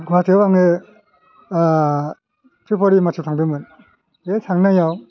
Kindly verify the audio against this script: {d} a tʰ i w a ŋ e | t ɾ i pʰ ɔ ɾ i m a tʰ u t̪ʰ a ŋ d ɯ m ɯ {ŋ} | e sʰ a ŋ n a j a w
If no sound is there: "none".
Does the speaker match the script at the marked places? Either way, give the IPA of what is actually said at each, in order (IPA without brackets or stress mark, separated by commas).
ɡ, n